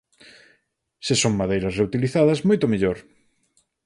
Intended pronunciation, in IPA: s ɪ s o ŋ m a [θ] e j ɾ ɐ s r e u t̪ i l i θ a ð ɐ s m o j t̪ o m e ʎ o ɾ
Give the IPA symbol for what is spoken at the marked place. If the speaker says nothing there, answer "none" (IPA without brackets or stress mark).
ð